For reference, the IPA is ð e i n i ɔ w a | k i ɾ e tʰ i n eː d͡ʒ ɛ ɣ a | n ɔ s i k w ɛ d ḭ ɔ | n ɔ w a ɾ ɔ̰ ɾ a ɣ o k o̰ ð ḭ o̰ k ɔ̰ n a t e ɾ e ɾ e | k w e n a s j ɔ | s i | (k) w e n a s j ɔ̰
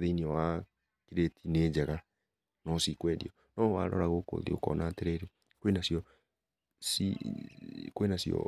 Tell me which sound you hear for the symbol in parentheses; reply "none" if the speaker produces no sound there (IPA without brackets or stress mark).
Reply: k